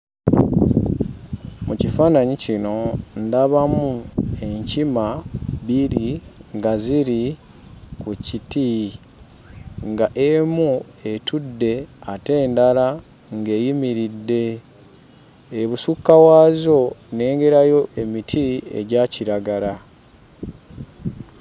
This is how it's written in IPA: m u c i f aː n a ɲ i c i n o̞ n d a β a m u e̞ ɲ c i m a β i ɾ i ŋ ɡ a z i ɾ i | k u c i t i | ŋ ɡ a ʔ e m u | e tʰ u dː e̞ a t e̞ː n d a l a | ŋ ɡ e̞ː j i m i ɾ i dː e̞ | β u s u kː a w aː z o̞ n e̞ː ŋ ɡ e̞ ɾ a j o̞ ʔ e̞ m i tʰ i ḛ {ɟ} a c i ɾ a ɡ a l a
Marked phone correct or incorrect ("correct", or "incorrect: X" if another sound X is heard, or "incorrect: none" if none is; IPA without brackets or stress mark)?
correct